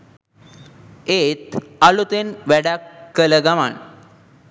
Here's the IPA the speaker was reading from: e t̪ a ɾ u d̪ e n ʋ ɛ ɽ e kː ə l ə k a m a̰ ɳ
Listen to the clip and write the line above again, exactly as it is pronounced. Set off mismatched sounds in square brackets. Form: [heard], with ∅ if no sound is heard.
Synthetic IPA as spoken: e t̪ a [l] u [t̪] e n ʋ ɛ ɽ [a] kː ə l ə [ɡ] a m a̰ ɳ